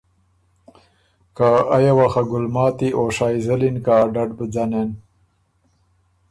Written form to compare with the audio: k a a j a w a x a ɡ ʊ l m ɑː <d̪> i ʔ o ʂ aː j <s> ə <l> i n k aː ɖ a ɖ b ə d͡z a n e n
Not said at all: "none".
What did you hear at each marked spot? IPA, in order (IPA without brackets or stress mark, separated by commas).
t̪, z, l